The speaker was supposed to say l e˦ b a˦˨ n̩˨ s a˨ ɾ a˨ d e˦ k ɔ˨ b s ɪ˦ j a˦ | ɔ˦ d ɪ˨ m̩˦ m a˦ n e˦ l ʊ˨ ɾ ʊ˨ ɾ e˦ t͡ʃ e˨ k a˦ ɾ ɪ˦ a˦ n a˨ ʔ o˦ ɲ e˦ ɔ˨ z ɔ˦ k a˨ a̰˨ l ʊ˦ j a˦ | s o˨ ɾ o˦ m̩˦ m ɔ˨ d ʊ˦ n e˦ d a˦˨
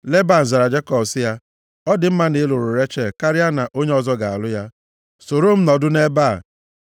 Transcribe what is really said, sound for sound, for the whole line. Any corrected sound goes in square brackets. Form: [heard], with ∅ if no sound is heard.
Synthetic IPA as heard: l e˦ b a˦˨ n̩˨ [z] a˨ ɾ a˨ [d͡ʒ] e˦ k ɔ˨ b s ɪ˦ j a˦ | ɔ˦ d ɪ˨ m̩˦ m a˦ n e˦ l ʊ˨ ɾ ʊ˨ ɾ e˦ t͡ʃ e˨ k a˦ ɾ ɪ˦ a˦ n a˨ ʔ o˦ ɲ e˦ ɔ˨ z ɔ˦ [ɡ] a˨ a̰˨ l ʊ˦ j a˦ | s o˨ ɾ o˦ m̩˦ [n] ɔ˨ d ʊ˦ n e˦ [b] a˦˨